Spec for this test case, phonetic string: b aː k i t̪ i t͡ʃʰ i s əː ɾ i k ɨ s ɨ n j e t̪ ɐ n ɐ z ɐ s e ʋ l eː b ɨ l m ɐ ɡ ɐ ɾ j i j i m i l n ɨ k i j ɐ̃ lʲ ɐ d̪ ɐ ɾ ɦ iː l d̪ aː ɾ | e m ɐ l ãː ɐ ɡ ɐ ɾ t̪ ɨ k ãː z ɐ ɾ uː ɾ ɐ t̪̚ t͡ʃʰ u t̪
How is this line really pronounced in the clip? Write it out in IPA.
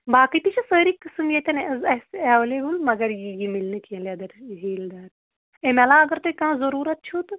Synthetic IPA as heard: b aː k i t̪ i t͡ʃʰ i s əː ɾ i k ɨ s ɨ m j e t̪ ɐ n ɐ z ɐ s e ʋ l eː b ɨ l m ɐ ɡ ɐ ɾ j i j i m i l n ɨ k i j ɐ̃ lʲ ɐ d̪ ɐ ɾ ɦ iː l d̪ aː ɾ | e m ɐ l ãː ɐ ɡ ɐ ɾ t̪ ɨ k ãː z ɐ ɾ uː ɾ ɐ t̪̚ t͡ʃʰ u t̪